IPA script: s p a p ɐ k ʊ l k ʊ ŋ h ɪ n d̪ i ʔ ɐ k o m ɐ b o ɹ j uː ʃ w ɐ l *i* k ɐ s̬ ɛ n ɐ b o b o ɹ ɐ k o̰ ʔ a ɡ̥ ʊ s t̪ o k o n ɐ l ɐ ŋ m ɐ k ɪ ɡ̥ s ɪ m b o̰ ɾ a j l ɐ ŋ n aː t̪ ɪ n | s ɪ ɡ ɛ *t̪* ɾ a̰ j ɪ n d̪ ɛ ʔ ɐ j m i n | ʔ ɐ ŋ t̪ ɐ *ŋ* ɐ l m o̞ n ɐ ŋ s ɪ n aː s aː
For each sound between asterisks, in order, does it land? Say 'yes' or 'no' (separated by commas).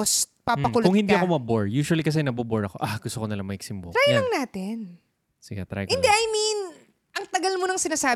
yes, yes, no